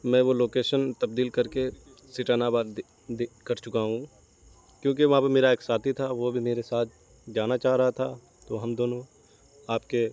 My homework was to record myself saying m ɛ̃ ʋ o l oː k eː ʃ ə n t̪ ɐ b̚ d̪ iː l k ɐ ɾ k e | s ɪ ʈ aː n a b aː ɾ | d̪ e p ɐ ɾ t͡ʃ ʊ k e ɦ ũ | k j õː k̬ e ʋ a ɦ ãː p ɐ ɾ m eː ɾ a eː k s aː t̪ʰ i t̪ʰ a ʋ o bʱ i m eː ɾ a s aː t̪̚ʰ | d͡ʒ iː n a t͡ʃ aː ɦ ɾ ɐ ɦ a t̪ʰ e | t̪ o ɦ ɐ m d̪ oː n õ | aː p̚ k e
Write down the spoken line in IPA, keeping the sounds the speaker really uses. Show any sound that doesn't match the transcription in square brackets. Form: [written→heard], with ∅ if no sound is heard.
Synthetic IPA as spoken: m ɛ̃ ʋ o l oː k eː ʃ ə n t̪ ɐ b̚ d̪ iː l k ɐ ɾ k e | s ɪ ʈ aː n a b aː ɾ | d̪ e [p→k] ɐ ɾ t͡ʃ ʊ k [e→a] ɦ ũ | k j õː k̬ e ʋ [a→ɐ] ɦ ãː p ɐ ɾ m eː ɾ a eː k s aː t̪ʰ i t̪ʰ a ʋ o bʱ i m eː ɾ [a→e] s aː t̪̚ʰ | d͡ʒ [iː→aː] n a t͡ʃ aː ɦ ɾ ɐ ɦ a t̪ʰ [e→a] | t̪ o ɦ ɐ m d̪ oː n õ | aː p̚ k e